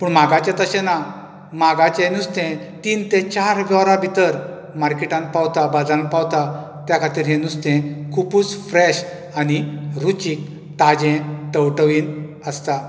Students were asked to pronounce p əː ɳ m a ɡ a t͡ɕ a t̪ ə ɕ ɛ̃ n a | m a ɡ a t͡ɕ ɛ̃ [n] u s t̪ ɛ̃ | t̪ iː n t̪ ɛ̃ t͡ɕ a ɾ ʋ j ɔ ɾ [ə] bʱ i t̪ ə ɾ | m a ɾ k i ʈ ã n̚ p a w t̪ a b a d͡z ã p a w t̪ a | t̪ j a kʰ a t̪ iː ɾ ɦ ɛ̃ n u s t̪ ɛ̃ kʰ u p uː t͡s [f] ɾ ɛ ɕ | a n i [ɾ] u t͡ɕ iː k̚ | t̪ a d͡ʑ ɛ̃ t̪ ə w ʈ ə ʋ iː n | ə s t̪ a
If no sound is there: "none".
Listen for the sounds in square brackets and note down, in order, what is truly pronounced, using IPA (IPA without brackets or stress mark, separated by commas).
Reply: n, a, f, ɾ